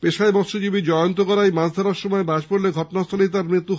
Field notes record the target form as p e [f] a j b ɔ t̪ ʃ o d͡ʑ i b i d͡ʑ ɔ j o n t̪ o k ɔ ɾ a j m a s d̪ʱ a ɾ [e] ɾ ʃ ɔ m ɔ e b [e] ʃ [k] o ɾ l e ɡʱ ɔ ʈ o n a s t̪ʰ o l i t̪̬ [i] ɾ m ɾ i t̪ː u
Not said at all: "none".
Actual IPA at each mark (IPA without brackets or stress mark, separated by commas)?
ʃ, a, a, p, a